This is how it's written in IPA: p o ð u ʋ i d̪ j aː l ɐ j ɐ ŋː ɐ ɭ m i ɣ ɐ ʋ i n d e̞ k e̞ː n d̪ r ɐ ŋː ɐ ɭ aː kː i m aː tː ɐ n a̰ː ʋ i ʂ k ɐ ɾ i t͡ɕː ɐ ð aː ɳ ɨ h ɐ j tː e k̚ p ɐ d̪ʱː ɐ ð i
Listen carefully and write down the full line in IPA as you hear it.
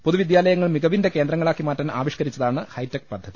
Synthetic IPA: p o ð u ʋ i d̪ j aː l ɐ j ɐ ŋː ɐ ɭ m i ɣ ɐ ʋ i n d e̞ k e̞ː n d̪ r ɐ ŋː ɐ ɭ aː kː i m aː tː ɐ n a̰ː ʋ i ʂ k ɐ ɾ i t͡ɕː ɐ ð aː ɳ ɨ h ɐ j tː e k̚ p ɐ d̪ʱː ɐ ð i